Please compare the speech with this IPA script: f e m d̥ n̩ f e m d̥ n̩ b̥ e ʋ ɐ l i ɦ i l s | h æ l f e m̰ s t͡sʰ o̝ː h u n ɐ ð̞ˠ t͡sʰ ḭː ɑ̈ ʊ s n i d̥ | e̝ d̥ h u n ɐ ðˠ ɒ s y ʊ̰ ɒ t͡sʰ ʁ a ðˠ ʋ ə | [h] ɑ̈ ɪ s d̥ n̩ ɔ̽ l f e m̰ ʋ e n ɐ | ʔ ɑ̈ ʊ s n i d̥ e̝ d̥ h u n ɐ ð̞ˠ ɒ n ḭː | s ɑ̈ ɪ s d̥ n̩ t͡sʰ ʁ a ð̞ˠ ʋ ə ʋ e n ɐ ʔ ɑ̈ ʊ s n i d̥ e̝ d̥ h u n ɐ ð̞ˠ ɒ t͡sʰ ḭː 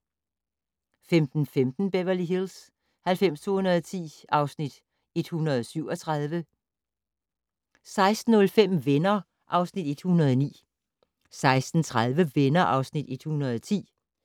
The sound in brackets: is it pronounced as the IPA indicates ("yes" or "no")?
no